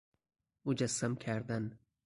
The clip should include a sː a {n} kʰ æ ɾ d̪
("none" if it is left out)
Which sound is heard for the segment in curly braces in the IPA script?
m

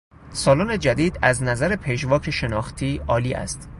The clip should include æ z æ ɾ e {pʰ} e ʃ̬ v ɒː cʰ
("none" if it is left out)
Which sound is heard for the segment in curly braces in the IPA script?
pʰ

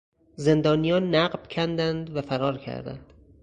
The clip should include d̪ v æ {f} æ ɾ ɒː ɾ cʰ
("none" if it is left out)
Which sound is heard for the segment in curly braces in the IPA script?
f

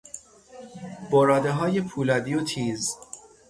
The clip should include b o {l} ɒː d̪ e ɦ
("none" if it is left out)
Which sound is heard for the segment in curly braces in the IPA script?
ɾ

